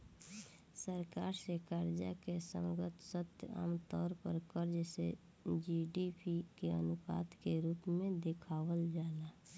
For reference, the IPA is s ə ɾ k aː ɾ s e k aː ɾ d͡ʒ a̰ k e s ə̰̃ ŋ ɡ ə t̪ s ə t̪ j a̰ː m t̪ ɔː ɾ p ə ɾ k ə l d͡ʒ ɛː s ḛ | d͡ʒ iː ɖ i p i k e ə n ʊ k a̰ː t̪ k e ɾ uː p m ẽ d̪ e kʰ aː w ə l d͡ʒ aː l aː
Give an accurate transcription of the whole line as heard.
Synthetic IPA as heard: s ə ɾ k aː ɾ s e k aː ɾ d͡ʒ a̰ k e s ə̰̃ ŋ ɡ ə t̪ s ə t̪ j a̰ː m t̪ ɔː ɾ p ə ɾ k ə ɾ d͡ʒ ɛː s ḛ | d͡ʒ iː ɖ i p i k e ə n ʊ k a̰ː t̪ k e ɾ uː p m ẽ d̪ e kʰ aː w ə l d͡ʒ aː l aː